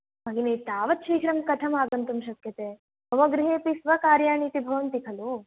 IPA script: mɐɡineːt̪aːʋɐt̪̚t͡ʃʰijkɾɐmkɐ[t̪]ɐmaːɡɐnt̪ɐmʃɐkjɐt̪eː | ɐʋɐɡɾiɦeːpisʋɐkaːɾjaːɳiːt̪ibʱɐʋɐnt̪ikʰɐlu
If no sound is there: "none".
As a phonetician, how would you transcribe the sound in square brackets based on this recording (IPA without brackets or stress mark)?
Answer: t̪ʰ